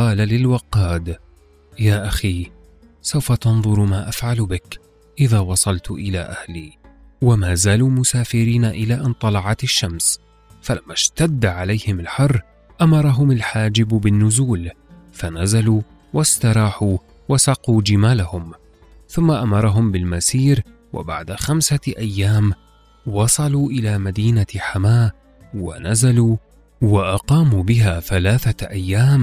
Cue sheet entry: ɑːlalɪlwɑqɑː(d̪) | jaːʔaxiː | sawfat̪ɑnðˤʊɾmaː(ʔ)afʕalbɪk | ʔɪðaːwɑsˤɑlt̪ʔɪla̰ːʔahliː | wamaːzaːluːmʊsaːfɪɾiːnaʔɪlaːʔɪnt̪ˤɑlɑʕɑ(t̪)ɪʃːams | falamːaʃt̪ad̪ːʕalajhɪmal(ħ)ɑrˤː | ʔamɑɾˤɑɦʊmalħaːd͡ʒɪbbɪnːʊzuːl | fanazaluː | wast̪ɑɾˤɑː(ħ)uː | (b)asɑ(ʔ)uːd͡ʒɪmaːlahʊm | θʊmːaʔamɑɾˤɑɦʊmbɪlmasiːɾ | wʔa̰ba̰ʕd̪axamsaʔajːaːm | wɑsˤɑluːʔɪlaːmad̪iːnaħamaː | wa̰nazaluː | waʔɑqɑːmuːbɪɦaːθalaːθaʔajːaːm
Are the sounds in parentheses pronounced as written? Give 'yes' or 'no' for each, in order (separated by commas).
yes, yes, yes, yes, yes, no, no